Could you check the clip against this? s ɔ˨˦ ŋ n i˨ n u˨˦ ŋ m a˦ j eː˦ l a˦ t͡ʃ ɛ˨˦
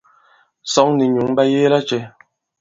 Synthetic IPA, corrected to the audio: s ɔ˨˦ ŋ n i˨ ɲ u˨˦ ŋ b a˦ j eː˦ l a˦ t͡ʃ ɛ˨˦